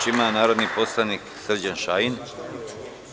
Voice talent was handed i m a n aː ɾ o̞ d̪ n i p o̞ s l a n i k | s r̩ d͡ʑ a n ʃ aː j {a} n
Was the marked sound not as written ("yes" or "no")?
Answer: yes